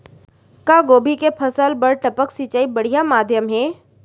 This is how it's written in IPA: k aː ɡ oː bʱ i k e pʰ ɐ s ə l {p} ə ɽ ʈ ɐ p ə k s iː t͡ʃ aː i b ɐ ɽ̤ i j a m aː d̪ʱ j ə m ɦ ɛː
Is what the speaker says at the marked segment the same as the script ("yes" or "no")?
no